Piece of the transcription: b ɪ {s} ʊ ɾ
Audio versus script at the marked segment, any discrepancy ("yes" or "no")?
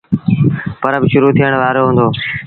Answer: yes